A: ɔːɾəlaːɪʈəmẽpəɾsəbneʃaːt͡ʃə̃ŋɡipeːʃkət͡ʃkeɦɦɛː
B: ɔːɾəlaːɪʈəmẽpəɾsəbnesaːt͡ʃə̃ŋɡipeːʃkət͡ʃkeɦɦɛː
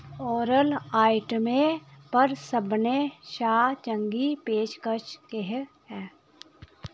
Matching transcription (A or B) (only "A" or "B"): A